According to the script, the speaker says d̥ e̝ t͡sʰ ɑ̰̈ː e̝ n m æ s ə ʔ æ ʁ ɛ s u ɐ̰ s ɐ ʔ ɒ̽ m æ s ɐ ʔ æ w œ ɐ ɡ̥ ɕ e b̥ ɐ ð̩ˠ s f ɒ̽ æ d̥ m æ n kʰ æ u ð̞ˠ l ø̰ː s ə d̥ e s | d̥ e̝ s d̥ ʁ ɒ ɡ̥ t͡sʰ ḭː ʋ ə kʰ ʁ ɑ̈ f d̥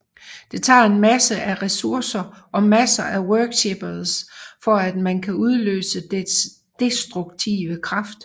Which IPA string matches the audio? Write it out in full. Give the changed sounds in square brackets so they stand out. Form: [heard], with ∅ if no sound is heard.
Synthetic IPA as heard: d̥ e̝ t͡sʰ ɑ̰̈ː e̝ n m æ s ə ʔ æ ʁ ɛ s u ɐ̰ s ɐ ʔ ɒ̽ m æ s ɐ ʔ æ w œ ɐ ɡ̥ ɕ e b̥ ɐ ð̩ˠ s f ɒ̽ æ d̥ m æ n kʰ æ u ð̞ˠ l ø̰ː s ə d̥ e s | d̥ e̝ s d̥ ʁ [u] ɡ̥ t͡sʰ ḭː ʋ ə kʰ ʁ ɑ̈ f d̥